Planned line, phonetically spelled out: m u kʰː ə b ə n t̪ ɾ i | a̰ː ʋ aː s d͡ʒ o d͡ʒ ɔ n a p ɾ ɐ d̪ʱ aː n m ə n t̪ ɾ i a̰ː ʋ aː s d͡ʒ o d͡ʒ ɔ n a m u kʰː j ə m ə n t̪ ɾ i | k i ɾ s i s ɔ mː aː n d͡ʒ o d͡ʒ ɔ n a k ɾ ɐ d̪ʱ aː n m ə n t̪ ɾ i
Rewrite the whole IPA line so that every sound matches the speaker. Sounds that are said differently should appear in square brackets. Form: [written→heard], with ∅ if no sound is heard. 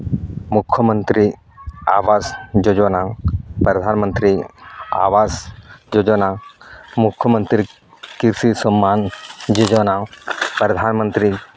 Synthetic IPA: m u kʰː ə [b→m] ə n t̪ ɾ i | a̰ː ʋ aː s d͡ʒ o d͡ʒ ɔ n a p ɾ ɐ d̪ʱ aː n m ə n t̪ ɾ i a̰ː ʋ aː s d͡ʒ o d͡ʒ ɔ n a m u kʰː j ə m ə n t̪ ɾ i | k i ɾ s i s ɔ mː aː n d͡ʒ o d͡ʒ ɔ n a [k→p] ɾ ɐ d̪ʱ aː n m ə n t̪ ɾ i

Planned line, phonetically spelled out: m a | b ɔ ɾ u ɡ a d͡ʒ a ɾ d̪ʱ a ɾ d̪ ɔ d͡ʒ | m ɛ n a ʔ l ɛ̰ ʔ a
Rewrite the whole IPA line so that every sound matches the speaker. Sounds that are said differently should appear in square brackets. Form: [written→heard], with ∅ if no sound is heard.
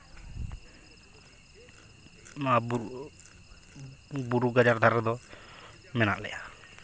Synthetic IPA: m a | b [ɔ→u] ɾ u ɡ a d͡ʒ a ɾ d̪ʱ a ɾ d̪ ɔ [d͡ʒ→∅] | m ɛ n a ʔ l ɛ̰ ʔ a

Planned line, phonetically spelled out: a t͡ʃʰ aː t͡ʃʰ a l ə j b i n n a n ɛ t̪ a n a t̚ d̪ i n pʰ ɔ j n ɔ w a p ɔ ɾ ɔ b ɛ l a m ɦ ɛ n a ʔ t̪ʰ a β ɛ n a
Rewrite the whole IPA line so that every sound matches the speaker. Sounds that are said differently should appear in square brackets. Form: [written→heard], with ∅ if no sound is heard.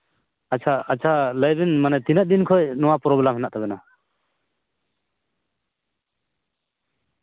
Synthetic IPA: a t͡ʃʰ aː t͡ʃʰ a l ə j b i n [n→m] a n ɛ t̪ [a→i] n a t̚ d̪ i n [pʰ→kʰ] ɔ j n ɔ w a p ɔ ɾ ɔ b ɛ l a m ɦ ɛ n a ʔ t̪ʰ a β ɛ n a

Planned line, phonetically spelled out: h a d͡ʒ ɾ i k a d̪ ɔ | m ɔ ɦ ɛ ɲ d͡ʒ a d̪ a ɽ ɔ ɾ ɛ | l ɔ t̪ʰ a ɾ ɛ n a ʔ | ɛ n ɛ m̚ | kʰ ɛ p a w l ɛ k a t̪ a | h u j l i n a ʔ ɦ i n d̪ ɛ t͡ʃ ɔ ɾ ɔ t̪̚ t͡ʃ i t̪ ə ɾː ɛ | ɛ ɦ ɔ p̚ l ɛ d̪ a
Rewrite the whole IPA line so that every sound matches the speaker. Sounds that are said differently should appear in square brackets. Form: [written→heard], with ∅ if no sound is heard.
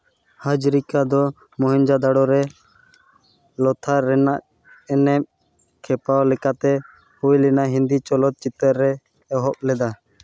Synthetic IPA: h a d͡ʒ ɾ i k a d̪ ɔ | m ɔ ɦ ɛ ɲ d͡ʒ a d̪ a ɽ ɔ ɾ ɛ | l ɔ t̪ʰ a ɾ ɛ n a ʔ | ɛ n ɛ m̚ | kʰ ɛ p a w l ɛ k a t̪ [a→ɛ] | h u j l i n a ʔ ɦ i n d̪ [ɛ→i] t͡ʃ ɔ [ɾ→l] ɔ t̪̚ t͡ʃ i t̪ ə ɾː ɛ | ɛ ɦ ɔ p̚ l ɛ d̪ a

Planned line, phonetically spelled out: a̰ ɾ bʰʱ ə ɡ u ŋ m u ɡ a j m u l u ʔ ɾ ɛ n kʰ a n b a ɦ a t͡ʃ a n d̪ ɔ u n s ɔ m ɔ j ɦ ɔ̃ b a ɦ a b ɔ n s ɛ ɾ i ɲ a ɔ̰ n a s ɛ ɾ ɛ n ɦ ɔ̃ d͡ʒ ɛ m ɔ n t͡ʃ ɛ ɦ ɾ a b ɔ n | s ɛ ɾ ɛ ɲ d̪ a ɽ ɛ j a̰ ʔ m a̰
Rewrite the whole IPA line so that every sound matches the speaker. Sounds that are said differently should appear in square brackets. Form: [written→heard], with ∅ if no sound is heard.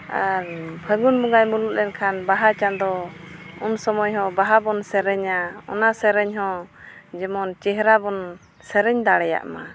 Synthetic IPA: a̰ ɾ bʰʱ ə ɡ u [ŋ→n] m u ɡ a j m u l u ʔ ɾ ɛ n kʰ a n b a ɦ a t͡ʃ a n d̪ ɔ u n s ɔ m ɔ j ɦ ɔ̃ b a ɦ a b ɔ n s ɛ ɾ [i→ɛ] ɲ a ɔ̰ n a s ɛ ɾ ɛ [n→ɲ] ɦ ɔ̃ d͡ʒ ɛ m ɔ n t͡ʃ ɛ ɦ ɾ a b ɔ n | s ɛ ɾ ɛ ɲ d̪ a ɽ ɛ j a̰ ʔ m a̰

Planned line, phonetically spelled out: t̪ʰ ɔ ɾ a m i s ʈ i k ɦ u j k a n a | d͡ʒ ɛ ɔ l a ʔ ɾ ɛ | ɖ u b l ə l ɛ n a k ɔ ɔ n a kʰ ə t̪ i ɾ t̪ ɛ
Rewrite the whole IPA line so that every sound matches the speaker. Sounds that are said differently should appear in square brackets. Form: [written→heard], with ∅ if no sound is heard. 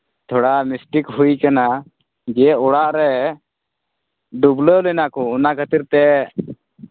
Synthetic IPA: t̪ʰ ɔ [ɾ→ɽ] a m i s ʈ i k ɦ u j k a n a | d͡ʒ ɛ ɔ [l→ɽ] a ʔ ɾ ɛ | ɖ u b l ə l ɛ n a k ɔ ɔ n a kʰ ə t̪ i ɾ t̪ ɛ

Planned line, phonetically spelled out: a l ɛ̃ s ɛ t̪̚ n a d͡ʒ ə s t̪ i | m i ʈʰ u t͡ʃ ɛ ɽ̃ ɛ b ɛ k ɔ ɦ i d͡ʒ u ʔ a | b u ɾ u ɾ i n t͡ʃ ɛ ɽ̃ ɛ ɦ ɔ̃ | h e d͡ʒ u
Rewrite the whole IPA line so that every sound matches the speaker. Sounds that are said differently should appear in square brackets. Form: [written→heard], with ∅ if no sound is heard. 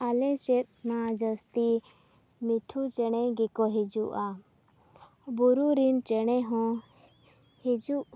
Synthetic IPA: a l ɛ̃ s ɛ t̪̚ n a d͡ʒ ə s t̪ i | m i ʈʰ u t͡ʃ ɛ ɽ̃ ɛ [b→ɡ] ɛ k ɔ ɦ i d͡ʒ u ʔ a | b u ɾ u ɾ i n t͡ʃ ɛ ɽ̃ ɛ ɦ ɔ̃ | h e d͡ʒ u

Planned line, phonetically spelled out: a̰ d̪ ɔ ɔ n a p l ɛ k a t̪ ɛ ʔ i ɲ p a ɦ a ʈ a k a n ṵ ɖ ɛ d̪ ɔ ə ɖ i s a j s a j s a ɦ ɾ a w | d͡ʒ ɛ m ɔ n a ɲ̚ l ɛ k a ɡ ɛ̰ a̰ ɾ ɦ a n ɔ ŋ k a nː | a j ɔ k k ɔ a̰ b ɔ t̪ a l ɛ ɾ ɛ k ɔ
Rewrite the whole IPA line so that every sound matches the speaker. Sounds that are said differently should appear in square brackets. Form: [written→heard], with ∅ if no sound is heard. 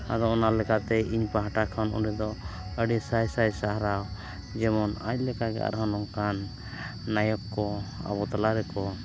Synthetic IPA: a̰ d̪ ɔ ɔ n a [p→∅] l ɛ k a t̪ ɛ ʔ i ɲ p a ɦ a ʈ a [k→kʰ] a n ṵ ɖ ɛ d̪ ɔ ə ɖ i s a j s a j s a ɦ ɾ a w | d͡ʒ ɛ m ɔ n a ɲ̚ l ɛ k a ɡ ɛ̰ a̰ ɾ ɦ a n ɔ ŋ k a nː | a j ɔ k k ɔ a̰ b ɔ t̪ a l [ɛ→a] ɾ ɛ k ɔ

